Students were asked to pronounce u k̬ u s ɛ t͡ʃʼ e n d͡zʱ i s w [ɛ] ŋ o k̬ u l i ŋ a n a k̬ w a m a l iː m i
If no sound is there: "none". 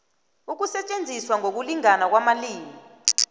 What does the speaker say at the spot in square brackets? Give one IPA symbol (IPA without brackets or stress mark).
a